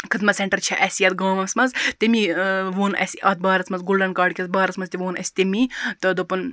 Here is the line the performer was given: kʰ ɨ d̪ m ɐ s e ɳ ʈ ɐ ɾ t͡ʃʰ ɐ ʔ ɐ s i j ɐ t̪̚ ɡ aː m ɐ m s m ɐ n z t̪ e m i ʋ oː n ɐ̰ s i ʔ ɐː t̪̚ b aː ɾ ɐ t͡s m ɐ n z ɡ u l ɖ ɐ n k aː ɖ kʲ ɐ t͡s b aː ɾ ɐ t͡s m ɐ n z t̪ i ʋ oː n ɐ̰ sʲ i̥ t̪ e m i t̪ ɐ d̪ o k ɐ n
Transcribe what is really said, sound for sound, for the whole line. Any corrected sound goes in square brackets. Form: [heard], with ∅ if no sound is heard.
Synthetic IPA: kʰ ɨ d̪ m ɐ s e ɳ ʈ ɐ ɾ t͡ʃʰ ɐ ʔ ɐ s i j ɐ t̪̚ ɡ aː m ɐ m s m ɐ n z t̪ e m i ʋ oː n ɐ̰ s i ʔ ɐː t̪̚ b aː ɾ ɐ t͡s m ɐ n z ɡ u l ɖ ɐ n k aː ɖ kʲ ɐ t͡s b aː ɾ ɐ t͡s m ɐ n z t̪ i ʋ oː n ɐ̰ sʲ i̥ t̪ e m i t̪ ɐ d̪ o [p] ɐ n

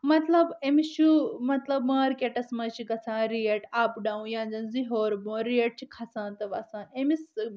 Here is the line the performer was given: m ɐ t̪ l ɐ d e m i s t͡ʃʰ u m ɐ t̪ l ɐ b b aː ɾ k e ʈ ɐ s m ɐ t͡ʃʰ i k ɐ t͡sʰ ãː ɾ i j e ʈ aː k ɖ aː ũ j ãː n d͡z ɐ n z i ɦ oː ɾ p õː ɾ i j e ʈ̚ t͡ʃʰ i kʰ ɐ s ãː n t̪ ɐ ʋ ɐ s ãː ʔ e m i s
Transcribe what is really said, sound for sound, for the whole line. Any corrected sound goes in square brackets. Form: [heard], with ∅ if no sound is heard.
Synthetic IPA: m ɐ t̪ l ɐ [b] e m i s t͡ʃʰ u m ɐ t̪ l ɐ b [m] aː ɾ k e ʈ ɐ s m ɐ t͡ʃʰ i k ɐ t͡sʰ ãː ɾ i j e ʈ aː [p] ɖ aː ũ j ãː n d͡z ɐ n z i ɦ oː ɾ [b] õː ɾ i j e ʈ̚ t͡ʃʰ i kʰ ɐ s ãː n t̪ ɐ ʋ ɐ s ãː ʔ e m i s

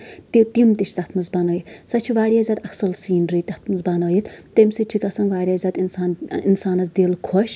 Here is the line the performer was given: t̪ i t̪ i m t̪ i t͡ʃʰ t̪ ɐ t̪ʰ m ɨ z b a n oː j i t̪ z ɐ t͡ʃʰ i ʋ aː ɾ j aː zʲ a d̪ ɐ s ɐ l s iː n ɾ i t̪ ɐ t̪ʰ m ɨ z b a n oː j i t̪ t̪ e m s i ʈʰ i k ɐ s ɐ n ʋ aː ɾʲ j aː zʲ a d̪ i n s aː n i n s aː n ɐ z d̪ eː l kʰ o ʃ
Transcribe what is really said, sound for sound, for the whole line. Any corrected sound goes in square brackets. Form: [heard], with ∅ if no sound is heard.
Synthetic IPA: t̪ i t̪ i m t̪ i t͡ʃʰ t̪ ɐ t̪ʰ m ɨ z b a n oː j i t̪ [s] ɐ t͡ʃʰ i ʋ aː ɾ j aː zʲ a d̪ ɐ s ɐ l s iː n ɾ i t̪ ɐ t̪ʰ m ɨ z b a n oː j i t̪ t̪ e m s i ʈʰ i k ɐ s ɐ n ʋ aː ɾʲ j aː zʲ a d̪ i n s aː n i n s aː n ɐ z d̪ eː l kʰ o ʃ

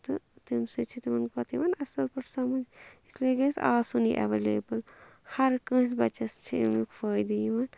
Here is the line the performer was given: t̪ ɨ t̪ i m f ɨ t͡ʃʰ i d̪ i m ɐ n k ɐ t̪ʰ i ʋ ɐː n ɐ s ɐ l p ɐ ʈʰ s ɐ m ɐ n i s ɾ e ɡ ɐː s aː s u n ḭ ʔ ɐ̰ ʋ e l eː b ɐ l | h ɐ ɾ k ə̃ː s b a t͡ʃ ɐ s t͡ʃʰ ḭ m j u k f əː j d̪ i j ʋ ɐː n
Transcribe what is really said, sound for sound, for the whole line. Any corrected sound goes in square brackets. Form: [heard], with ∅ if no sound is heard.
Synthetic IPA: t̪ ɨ t̪ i m [s] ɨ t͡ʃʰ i [t̪] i m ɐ n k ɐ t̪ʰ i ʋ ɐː n ɐ s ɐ l p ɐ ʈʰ s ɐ m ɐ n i s [l] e ɡ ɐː s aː s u n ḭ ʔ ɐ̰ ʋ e l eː b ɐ l | h ɐ ɾ k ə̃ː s b [ɐ] t͡ʃ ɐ s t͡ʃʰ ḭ m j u k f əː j d̪ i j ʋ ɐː n

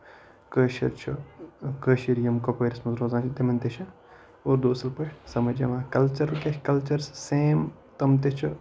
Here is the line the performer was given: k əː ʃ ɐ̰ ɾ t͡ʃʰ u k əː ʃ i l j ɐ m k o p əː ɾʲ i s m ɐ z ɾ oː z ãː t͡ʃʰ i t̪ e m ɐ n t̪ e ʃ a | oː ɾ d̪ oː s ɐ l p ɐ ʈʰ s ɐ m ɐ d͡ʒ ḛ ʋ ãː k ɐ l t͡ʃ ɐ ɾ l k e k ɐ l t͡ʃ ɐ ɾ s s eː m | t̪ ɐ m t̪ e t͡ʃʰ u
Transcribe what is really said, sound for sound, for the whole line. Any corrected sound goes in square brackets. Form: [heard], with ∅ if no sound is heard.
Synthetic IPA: k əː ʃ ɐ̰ ɾ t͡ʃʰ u k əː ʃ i [ɾ] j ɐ m k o p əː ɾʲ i s m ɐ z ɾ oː z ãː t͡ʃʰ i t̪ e m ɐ n t̪ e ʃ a | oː ɾ d̪ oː s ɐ l p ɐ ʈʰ s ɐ m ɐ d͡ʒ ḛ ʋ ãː k ɐ l t͡ʃ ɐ ɾ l k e k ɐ l t͡ʃ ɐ ɾ s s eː m | t̪ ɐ m t̪ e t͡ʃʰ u

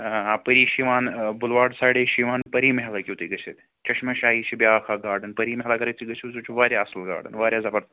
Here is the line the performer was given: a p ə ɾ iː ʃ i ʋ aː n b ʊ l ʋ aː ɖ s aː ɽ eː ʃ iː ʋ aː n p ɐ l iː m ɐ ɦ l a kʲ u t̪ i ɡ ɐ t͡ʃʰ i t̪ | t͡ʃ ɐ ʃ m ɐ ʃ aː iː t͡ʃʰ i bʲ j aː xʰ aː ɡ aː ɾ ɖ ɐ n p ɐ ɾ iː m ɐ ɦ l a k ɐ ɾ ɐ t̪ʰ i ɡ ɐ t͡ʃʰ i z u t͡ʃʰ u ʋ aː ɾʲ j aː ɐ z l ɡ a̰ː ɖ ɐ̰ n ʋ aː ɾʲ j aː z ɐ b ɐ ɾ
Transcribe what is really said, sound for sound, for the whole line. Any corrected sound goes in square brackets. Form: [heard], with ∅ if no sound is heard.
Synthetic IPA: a p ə ɾ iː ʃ i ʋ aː n b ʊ l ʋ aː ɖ s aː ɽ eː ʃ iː ʋ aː n p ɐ [ɾ] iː m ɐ ɦ l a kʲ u t̪ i ɡ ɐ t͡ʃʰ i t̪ | t͡ʃ ɐ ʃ m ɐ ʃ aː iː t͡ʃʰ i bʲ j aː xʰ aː ɡ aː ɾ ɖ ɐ n p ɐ ɾ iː m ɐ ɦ l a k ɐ ɾ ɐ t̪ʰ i ɡ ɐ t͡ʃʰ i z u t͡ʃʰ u ʋ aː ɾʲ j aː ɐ [s] l ɡ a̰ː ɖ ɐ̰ n ʋ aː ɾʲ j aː z ɐ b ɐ ɾ

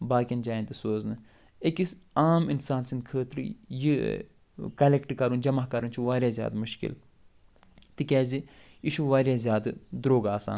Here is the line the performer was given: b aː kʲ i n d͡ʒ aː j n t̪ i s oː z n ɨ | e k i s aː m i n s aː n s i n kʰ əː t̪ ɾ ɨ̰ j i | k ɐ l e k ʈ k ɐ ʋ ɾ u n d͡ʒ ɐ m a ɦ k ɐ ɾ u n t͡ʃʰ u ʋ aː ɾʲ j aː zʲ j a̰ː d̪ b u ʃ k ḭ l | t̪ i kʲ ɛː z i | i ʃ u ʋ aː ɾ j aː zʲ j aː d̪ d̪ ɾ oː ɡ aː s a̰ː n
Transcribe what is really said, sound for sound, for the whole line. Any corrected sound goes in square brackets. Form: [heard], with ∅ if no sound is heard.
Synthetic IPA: b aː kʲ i n d͡ʒ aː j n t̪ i s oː z n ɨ | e k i s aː m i n s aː n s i n kʰ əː t̪ ɾ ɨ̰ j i | k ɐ l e k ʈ k ɐ [∅] ɾ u n d͡ʒ ɐ m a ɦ k ɐ ɾ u n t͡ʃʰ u ʋ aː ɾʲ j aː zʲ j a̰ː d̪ [m] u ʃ k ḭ l | t̪ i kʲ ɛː z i | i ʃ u ʋ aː ɾ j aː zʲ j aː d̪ d̪ ɾ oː ɡ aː s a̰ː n

